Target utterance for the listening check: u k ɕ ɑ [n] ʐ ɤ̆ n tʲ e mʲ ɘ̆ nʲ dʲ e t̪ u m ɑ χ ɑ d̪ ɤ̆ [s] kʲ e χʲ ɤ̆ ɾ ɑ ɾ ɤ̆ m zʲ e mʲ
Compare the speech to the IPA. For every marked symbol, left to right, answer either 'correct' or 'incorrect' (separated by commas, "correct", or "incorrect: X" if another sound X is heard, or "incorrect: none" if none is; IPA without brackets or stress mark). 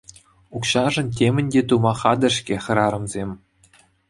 incorrect: none, incorrect: ʂ